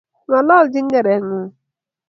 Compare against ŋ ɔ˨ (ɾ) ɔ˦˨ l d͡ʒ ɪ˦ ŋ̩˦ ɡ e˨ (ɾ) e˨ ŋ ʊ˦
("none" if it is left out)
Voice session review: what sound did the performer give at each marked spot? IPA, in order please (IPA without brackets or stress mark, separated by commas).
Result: l, ɾ